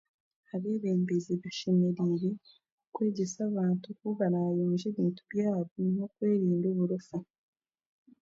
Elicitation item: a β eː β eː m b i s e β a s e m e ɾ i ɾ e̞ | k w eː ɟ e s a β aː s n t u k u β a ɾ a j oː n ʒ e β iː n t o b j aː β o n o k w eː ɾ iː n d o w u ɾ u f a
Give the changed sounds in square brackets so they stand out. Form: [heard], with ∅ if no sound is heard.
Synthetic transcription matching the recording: a β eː β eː m b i [z] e β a [ʃ] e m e ɾ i ɾ e̞ | k w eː ɟ e s a β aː [∅] n t u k u β a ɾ a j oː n ʒ e β iː n t [u] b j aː β o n o k w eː ɾ iː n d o [β] u ɾ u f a